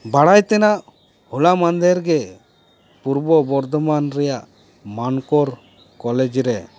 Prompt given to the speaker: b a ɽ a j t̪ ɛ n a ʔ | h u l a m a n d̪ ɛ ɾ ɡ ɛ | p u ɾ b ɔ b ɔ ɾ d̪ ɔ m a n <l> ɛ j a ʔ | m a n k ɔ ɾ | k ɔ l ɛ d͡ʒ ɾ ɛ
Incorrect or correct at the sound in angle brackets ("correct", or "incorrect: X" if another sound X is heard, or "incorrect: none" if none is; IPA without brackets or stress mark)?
incorrect: ɾ